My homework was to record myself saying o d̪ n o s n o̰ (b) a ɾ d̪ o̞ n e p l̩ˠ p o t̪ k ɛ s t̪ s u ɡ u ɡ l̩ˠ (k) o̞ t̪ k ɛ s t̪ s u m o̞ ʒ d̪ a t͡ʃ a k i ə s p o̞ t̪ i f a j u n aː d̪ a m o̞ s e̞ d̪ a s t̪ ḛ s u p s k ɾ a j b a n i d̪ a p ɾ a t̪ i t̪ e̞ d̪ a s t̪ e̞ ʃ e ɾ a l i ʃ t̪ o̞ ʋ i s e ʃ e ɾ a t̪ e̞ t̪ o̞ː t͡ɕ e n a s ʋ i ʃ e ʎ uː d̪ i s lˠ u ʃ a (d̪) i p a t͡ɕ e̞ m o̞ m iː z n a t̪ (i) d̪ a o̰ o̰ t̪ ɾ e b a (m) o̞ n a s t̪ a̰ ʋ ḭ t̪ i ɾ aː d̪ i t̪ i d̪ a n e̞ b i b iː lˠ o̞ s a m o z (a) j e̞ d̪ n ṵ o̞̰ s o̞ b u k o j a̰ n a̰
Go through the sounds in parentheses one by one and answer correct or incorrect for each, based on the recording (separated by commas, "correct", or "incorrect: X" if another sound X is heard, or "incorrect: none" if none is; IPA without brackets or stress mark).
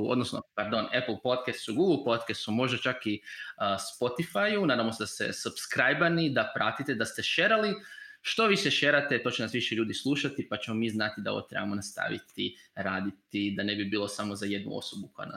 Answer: incorrect: p, incorrect: p, incorrect: t̪, correct, correct, correct